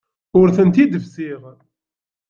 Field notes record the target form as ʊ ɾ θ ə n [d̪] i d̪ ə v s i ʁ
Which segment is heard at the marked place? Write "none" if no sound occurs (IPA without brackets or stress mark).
t̪